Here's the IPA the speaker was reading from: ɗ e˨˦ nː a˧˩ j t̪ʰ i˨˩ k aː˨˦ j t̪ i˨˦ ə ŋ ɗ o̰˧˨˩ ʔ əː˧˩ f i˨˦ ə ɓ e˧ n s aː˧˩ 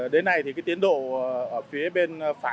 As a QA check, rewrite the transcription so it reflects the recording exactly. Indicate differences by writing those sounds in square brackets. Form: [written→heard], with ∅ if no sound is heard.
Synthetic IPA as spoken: ɗ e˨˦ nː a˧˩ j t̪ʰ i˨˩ k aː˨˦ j t̪ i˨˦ ə [ŋ→n] ɗ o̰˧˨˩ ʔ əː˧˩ f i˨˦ ə ɓ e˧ n [s→f] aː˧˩

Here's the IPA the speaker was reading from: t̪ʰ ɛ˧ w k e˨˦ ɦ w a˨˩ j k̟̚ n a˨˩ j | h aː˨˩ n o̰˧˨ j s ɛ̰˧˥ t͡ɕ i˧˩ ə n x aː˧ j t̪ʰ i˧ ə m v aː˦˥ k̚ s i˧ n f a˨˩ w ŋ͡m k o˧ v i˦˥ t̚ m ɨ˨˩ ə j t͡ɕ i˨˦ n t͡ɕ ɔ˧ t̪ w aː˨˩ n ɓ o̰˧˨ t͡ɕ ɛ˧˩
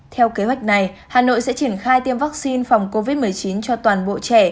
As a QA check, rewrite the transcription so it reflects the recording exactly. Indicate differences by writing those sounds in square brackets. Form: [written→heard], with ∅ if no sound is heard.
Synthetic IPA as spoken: t̪ʰ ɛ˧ w k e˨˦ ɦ w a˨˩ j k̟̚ n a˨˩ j | h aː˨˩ n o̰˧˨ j s ɛ̰˧˥ t͡ɕ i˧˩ ə n x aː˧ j [t̪ʰ→t̪] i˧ ə m v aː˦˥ k̚ s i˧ n f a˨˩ w ŋ͡m k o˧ v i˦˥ t̚ m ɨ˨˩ ə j t͡ɕ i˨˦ n t͡ɕ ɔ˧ t̪ w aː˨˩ n ɓ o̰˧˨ t͡ɕ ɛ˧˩

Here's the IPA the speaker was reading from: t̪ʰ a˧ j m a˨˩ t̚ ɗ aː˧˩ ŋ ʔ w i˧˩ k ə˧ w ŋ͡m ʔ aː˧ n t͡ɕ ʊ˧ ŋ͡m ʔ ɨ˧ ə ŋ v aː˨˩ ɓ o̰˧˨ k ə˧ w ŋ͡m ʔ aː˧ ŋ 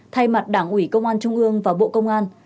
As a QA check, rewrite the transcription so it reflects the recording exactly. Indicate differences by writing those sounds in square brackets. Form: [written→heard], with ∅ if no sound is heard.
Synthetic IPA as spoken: t̪ʰ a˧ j m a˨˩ t̚ ɗ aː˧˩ ŋ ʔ w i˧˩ k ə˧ w ŋ͡m ʔ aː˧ n t͡ɕ ʊ˧ ŋ͡m ʔ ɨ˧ ə ŋ v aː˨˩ ɓ o̰˧˨ k ə˧ w ŋ͡m ʔ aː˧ [ŋ→n]

